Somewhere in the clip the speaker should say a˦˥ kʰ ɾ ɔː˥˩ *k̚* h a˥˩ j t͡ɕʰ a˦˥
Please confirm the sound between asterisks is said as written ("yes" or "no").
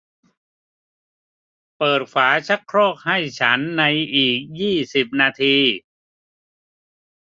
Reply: yes